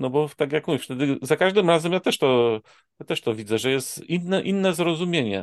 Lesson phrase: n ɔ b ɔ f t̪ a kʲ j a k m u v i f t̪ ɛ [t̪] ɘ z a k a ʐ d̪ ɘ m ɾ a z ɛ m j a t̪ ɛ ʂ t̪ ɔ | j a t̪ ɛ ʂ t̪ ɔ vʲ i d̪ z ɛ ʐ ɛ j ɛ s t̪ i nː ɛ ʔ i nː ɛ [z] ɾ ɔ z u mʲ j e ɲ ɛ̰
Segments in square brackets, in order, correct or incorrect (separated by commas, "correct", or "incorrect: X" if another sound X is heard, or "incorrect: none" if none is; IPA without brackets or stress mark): incorrect: d̪, correct